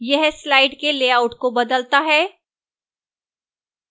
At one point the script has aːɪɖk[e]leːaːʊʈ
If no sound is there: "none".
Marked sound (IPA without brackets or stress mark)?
e